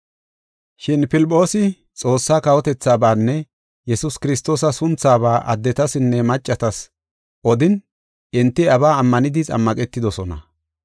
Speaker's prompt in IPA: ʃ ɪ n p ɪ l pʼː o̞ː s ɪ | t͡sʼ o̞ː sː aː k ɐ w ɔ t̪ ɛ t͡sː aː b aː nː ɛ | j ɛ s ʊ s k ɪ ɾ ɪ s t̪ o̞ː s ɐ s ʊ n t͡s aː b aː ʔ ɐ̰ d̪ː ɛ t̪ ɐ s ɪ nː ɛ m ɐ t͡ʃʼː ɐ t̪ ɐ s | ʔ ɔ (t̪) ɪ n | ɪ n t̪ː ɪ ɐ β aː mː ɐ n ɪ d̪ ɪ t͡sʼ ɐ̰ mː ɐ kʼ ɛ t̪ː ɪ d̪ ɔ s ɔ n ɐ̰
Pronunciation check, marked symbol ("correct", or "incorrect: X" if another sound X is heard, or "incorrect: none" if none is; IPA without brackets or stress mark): incorrect: d̪